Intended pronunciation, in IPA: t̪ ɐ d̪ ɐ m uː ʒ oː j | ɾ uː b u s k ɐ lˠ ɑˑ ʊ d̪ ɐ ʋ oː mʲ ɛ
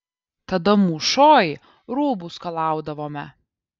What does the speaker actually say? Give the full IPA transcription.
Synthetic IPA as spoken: t̪ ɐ d̪ ɐ m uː ʃ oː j | ɾ uː b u s k ɐ lˠ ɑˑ ʊ d̪ ɐ ʋ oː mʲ ɛ